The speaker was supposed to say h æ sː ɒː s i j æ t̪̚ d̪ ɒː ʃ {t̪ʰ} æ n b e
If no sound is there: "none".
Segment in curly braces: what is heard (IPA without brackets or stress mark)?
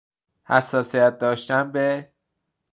t̪